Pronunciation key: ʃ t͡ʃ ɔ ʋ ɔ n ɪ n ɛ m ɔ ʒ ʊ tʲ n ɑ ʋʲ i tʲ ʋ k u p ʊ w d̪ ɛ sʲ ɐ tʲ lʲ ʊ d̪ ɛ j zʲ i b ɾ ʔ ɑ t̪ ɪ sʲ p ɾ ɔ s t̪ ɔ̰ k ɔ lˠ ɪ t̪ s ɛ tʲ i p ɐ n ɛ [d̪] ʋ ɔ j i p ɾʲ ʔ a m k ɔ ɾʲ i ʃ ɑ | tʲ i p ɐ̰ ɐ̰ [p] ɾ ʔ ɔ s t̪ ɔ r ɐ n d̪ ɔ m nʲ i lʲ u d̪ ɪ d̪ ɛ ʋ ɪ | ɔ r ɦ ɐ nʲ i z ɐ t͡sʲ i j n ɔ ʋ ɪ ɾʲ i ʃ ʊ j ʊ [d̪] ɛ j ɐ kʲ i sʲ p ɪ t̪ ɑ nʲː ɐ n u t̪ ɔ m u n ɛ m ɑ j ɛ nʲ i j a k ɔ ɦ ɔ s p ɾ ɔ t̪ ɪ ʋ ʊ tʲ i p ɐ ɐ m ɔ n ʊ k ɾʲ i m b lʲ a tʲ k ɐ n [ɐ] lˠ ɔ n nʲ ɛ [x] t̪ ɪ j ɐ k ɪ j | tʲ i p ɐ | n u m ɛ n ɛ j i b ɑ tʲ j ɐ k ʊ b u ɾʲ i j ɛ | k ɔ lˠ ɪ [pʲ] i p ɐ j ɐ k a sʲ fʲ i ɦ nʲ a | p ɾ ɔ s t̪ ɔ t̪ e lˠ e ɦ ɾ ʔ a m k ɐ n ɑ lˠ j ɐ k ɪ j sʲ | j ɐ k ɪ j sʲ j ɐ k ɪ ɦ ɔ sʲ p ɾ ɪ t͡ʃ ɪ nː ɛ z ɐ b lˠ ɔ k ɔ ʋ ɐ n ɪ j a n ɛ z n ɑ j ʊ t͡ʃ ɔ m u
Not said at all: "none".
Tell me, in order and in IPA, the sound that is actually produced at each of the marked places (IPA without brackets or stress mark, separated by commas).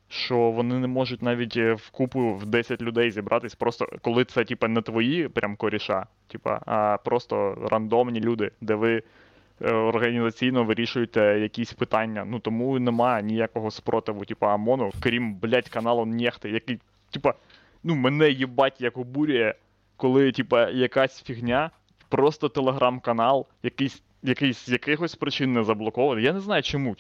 t̪, p, t̪, ɑ, x, tʲ